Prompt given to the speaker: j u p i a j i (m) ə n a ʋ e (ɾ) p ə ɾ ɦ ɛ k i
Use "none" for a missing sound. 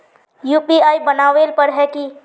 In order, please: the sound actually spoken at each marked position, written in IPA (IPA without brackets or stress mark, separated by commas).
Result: b, l